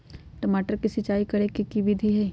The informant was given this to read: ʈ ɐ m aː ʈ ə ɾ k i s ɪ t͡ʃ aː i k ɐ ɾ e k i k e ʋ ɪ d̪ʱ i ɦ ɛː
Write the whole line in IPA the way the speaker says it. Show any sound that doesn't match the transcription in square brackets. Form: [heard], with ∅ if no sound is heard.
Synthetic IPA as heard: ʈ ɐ m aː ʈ ə ɾ k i s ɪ t͡ʃ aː i k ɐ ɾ e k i k [i] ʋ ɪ d̪ʱ i ɦ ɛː